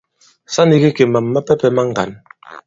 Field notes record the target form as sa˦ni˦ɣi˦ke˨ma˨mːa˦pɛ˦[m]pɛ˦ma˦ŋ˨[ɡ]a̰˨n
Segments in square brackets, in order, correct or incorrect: incorrect, correct

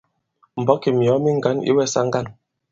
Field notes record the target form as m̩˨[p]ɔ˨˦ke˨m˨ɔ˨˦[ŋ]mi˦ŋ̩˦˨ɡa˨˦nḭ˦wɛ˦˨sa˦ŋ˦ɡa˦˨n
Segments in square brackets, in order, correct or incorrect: incorrect, incorrect

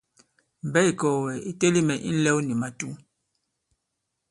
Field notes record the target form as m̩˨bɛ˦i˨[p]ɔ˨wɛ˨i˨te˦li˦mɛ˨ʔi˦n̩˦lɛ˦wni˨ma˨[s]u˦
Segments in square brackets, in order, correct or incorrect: incorrect, incorrect

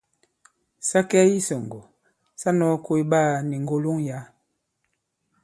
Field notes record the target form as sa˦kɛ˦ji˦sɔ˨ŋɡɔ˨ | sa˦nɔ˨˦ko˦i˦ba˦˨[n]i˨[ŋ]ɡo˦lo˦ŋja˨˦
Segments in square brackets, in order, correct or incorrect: correct, correct

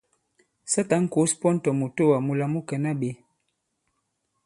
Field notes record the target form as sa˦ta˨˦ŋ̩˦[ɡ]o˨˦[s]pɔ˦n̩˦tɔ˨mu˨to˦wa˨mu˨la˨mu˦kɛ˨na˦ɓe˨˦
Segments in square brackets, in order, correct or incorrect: incorrect, correct

